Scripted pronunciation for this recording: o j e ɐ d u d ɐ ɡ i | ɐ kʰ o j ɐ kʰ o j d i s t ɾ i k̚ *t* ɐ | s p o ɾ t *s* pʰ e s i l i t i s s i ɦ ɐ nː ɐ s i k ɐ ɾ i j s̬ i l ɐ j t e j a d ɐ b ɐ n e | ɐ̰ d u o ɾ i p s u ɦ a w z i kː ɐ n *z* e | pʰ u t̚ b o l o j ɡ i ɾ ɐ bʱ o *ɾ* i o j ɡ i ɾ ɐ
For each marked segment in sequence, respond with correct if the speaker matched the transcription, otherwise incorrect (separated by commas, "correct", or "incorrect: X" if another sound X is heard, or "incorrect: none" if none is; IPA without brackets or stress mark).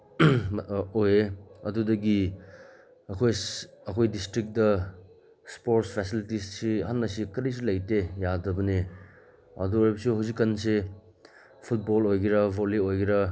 incorrect: d, correct, incorrect: s, incorrect: l